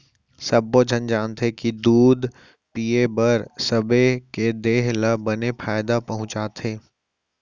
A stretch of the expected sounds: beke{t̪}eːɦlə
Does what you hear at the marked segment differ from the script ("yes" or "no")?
yes